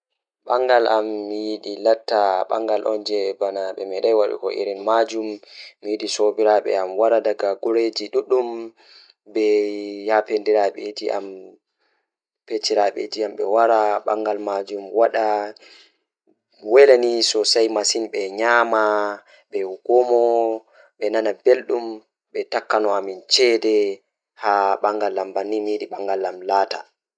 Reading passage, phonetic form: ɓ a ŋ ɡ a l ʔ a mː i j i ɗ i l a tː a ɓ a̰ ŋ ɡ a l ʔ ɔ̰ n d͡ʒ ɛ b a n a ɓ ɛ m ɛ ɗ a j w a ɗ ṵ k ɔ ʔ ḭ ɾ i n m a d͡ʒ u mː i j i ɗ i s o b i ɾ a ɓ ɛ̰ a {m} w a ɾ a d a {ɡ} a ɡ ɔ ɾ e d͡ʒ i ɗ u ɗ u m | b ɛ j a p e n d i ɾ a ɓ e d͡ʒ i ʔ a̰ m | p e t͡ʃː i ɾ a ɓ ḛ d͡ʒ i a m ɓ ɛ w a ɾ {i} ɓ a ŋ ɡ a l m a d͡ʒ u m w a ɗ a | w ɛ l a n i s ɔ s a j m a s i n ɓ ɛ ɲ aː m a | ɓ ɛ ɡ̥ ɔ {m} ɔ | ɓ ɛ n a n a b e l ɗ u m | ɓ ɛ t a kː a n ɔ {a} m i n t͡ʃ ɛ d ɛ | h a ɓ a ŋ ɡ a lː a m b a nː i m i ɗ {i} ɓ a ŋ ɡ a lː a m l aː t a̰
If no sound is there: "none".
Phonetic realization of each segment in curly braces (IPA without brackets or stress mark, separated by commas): m, ɡ, a, m, a, i